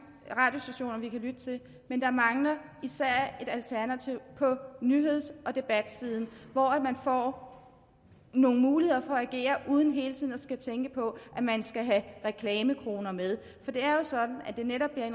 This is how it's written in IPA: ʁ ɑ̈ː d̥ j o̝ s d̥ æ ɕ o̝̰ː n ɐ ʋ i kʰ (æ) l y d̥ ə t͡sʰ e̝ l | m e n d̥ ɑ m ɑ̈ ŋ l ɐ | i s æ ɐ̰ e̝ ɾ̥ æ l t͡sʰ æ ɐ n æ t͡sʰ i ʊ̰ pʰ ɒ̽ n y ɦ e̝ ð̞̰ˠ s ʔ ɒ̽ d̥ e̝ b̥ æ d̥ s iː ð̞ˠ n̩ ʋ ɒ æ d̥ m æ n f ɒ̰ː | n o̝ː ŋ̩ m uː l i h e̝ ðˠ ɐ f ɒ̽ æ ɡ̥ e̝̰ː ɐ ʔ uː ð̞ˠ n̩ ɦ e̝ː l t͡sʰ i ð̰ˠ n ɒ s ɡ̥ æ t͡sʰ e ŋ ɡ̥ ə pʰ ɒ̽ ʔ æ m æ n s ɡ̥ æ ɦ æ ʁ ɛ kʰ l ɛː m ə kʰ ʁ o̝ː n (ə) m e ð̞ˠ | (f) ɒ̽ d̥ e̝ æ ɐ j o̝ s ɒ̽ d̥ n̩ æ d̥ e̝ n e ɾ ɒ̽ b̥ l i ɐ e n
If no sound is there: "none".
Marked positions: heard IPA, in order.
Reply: æ, ɐ, f

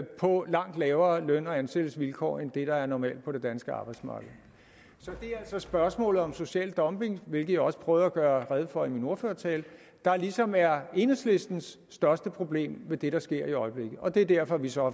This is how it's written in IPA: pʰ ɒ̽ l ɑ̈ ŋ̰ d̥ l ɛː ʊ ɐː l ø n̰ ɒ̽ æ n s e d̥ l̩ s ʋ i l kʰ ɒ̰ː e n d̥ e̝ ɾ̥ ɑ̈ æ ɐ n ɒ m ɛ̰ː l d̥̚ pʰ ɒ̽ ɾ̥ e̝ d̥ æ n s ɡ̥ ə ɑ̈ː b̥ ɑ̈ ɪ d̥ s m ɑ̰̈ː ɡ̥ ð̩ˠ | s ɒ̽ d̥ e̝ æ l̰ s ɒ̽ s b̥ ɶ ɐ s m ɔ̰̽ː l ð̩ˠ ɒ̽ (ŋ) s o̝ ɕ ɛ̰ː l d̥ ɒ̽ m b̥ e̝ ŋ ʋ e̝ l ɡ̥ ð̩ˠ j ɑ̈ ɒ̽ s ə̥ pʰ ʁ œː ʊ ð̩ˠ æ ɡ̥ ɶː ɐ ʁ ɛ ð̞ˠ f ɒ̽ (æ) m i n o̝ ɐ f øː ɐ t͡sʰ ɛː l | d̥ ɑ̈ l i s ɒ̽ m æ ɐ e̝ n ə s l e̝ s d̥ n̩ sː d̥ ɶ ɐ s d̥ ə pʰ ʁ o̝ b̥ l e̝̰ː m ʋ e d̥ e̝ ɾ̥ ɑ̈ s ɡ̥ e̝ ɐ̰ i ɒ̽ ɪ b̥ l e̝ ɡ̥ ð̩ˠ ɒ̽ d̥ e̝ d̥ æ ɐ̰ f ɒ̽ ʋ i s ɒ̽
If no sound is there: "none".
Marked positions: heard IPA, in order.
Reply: m, i

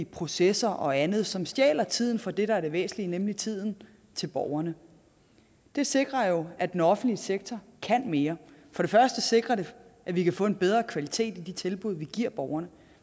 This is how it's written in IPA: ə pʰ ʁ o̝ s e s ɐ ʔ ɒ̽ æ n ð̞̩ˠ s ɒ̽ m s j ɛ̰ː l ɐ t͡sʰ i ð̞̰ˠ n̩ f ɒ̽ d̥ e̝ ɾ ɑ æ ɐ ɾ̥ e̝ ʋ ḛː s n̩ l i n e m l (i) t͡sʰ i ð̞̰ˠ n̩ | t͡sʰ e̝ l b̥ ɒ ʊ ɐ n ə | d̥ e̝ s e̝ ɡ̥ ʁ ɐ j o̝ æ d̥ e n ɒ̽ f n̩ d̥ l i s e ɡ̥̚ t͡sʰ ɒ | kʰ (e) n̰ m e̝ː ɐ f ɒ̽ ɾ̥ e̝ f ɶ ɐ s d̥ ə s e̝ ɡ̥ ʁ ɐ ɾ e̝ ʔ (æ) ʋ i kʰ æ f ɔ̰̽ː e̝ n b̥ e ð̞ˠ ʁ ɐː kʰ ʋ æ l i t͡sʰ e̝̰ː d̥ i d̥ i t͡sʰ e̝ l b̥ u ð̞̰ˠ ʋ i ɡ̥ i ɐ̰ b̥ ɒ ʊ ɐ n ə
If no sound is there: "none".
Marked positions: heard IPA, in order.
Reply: i, æ, æ

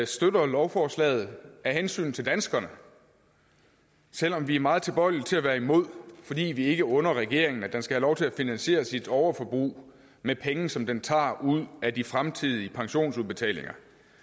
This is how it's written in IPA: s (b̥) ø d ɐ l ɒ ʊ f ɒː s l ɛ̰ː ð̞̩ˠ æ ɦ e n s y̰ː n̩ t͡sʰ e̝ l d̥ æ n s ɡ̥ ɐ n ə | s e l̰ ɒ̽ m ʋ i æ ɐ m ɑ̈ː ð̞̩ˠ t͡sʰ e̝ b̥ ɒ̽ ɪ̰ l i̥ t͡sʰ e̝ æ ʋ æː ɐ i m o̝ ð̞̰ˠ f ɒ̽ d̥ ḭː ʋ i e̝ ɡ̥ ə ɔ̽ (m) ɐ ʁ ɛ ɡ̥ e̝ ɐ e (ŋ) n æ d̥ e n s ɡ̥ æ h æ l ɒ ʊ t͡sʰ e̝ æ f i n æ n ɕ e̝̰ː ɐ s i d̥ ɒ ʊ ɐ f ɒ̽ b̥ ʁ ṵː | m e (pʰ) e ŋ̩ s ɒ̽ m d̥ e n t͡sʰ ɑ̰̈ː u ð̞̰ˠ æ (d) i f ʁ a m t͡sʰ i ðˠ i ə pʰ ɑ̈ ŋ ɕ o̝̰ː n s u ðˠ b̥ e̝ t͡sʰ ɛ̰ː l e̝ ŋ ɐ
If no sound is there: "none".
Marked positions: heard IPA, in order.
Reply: d̥, n, ŋ, pʰ, d

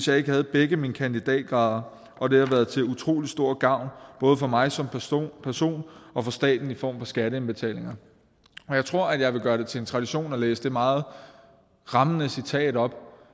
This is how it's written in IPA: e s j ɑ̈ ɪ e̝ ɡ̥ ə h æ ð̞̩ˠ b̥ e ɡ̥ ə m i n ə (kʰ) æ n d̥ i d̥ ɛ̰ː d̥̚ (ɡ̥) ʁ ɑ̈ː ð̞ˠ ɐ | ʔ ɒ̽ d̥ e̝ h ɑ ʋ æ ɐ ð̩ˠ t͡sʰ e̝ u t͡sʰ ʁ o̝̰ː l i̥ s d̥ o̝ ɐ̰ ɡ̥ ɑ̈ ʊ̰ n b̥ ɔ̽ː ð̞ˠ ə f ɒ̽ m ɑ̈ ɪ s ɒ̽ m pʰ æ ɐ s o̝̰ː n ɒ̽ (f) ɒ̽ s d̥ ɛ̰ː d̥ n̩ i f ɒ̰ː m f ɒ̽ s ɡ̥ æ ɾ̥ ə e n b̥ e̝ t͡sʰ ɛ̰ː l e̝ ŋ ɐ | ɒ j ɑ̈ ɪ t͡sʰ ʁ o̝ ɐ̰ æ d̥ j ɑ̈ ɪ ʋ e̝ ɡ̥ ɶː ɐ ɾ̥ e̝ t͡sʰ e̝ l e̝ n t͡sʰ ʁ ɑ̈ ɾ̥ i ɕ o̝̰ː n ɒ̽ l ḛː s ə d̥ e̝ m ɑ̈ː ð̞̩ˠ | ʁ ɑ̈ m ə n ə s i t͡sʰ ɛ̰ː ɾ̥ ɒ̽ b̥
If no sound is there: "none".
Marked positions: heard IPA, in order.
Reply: kʰ, ɡ̥, f

